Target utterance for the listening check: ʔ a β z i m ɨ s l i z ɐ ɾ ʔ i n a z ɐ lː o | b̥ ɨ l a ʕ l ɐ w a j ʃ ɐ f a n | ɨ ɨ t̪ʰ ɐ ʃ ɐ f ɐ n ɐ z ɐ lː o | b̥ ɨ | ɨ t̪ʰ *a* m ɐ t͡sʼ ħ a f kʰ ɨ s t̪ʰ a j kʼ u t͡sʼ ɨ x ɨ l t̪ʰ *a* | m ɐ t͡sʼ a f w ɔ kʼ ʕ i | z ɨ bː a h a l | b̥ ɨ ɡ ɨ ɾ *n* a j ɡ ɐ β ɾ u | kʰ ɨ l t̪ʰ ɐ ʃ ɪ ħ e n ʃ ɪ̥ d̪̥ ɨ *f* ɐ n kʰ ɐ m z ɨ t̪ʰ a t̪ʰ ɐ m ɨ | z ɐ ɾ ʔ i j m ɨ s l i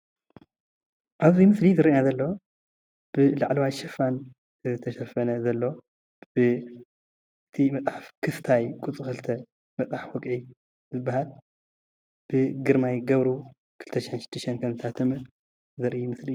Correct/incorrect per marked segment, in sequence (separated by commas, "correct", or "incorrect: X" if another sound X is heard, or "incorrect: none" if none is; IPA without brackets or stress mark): incorrect: i, incorrect: ɐ, incorrect: m, incorrect: ʃ